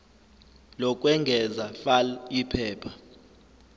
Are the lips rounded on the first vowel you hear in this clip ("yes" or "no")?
yes